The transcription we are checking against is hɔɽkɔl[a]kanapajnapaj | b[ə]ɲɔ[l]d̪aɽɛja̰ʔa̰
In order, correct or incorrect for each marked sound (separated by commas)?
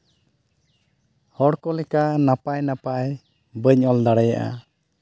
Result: incorrect, correct, correct